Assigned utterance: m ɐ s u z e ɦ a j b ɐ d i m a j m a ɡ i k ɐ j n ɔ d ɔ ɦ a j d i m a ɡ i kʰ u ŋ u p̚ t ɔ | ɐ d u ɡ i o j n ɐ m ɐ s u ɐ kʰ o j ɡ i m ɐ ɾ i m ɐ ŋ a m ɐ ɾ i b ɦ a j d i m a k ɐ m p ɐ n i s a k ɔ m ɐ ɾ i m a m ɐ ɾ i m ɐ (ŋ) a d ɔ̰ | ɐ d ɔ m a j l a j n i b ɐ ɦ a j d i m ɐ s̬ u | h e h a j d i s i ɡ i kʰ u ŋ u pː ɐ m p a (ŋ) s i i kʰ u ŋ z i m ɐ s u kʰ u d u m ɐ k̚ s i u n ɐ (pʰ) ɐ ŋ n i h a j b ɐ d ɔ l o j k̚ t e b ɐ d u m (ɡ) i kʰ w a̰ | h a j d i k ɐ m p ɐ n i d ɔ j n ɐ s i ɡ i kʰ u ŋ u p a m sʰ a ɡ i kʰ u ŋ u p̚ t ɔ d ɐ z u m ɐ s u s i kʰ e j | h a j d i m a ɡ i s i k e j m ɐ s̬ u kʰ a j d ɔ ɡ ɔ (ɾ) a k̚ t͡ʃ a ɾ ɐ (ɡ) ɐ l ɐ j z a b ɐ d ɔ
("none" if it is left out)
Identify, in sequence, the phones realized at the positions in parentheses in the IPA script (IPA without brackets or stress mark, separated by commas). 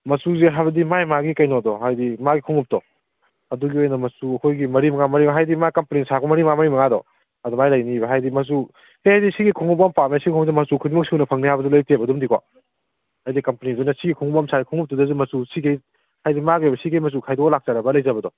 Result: ŋ, m, pʰ, d, l, b